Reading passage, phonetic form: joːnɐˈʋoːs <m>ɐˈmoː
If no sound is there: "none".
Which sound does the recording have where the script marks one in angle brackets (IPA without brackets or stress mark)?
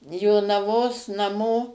n